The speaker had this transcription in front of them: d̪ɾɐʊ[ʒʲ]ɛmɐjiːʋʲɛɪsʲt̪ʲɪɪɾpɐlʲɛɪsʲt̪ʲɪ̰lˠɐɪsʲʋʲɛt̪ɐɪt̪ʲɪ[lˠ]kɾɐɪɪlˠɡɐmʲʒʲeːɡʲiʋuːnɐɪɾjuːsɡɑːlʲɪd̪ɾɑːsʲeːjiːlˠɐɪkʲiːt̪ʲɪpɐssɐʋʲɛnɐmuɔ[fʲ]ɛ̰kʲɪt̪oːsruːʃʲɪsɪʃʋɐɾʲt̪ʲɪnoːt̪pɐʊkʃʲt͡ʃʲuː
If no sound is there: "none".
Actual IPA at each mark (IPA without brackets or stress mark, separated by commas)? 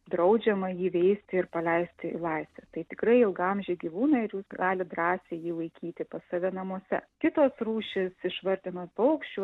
d͡ʒʲ, none, sʲ